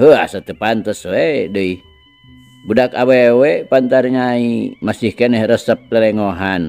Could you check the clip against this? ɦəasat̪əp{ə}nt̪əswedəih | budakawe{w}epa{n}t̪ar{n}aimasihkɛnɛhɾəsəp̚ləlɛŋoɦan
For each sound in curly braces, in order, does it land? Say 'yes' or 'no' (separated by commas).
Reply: no, yes, yes, no